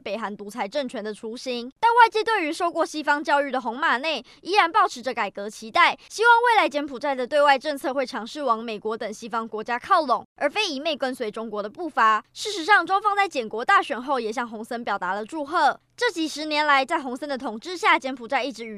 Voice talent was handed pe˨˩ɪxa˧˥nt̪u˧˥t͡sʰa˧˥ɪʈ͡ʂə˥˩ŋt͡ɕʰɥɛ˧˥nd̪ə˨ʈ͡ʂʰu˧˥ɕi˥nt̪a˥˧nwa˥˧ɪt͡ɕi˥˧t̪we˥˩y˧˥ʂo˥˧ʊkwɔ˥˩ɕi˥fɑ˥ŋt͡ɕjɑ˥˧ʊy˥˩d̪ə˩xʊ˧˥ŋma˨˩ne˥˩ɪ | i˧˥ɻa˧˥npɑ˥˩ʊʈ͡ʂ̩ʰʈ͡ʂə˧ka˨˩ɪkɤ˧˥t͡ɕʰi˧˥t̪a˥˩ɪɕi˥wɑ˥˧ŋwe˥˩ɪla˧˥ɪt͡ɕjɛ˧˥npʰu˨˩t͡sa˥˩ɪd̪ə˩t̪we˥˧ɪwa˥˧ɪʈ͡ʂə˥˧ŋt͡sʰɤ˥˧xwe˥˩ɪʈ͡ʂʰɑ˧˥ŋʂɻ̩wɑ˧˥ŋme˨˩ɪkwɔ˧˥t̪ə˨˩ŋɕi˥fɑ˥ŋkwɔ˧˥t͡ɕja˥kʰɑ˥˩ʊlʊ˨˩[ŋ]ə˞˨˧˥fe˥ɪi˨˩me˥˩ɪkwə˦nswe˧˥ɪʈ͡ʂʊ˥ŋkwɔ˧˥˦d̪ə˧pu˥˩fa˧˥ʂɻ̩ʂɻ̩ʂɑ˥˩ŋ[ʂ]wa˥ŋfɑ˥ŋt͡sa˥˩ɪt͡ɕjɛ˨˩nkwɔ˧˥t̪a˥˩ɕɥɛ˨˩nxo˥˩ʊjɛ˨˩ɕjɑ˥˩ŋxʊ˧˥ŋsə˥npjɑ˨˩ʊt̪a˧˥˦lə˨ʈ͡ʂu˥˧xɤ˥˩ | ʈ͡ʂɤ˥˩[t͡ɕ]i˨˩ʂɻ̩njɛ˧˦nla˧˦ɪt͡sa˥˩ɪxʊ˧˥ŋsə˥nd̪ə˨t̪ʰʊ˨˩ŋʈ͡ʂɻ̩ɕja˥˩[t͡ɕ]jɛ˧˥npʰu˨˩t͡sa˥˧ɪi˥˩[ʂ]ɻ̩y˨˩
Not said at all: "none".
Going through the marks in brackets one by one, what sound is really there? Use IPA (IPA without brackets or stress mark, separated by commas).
ŋ, ʈ͡ʂ, t͡ɕ, t͡ɕ, ʈ͡ʂ